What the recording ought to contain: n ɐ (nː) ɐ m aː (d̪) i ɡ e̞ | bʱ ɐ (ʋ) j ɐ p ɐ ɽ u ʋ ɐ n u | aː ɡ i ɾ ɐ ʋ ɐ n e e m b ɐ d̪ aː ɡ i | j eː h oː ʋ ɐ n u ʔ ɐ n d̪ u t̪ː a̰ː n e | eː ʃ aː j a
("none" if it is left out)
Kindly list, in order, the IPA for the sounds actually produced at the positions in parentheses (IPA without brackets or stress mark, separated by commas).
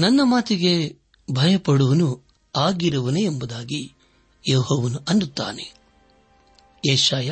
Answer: nː, t̪, none